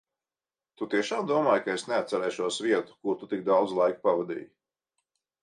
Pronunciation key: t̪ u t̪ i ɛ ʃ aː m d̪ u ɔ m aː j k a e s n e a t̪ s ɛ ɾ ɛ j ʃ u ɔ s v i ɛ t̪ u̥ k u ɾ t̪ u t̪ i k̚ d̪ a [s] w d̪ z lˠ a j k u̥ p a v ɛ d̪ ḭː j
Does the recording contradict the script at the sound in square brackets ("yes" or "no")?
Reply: yes